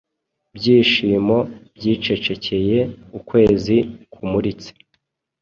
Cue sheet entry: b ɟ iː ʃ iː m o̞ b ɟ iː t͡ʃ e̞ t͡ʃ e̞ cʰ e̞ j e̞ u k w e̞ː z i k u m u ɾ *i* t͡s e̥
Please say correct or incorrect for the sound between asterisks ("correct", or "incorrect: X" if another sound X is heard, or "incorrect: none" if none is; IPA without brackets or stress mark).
correct